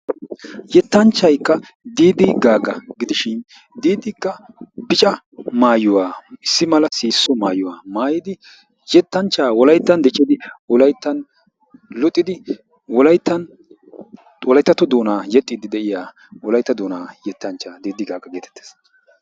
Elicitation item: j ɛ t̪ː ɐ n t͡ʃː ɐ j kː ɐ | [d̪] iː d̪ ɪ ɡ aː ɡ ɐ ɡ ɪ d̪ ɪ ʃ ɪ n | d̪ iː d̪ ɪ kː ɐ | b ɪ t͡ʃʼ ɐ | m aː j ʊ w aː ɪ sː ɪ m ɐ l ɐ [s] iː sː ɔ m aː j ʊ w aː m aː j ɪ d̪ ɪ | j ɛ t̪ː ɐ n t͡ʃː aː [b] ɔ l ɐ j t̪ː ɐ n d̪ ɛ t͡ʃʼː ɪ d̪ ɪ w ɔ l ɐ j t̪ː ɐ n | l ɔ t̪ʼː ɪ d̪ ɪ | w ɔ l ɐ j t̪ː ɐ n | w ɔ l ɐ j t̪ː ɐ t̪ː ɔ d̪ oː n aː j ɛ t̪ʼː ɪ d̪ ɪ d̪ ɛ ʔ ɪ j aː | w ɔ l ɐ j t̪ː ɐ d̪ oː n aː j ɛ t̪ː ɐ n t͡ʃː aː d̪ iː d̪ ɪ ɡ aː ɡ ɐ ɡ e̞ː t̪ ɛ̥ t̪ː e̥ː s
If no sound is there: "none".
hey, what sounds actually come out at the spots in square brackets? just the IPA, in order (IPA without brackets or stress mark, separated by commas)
d̪, s, w